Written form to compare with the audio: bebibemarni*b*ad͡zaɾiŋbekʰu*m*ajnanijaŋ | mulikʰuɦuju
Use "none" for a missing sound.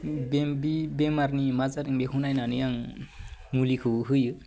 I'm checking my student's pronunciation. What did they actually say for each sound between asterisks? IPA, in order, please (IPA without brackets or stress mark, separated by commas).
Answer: m, n